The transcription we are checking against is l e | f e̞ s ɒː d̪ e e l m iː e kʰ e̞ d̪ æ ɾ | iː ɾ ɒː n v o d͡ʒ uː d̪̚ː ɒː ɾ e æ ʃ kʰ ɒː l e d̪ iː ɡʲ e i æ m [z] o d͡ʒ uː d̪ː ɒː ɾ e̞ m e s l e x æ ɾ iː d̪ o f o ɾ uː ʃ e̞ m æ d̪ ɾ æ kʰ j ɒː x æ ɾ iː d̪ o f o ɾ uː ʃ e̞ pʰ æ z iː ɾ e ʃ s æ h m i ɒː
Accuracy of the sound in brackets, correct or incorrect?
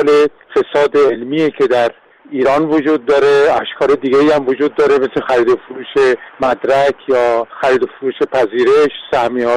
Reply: incorrect